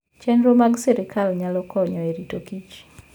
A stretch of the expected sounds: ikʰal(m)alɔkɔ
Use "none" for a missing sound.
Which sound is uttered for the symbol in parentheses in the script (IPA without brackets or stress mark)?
ɲ